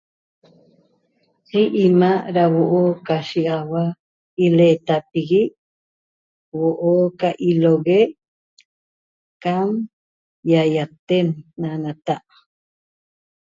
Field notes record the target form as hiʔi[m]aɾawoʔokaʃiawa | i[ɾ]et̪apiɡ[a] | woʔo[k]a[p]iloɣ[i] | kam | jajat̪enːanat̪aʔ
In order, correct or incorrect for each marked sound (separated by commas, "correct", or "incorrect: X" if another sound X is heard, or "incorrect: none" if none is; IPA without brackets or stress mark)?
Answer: correct, incorrect: l, incorrect: i, correct, incorrect: ʔ, incorrect: e